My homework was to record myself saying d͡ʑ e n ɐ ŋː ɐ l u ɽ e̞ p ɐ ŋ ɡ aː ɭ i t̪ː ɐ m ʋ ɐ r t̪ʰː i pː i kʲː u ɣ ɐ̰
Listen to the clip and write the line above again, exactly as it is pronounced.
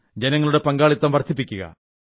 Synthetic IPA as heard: d͡ʑ e n ɐ ŋː ɐ ɭ u ɽ e̞ p ɐ ŋ ɡ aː ɭ i t̪ː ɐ m ʋ ɐ r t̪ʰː i pː i kʲː u ɣ ɐ̰